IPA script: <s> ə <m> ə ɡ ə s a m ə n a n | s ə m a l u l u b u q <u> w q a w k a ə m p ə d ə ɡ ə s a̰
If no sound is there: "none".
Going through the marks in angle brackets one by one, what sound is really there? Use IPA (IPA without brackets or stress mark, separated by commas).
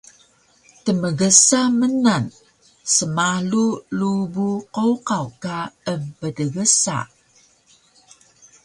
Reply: t, m, o